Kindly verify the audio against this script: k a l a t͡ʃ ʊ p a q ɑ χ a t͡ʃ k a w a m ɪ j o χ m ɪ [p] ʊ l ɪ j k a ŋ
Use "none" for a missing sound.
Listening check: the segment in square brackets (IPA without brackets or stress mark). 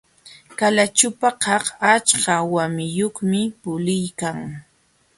p